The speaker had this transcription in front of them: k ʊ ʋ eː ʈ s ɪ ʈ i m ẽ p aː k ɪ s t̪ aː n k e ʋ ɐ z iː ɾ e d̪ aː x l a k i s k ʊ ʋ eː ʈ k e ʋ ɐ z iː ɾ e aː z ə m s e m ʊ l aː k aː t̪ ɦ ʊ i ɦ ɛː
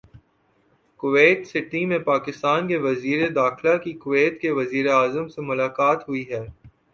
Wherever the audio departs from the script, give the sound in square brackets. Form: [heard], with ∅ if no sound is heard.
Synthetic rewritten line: k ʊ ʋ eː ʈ s ɪ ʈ i m ẽ p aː k ɪ s t̪ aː n k e ʋ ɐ z iː ɾ e d̪ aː x l a k i [∅] k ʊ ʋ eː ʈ k e ʋ ɐ z iː ɾ e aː z ə m s e m ʊ l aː k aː t̪ ɦ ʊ i ɦ ɛː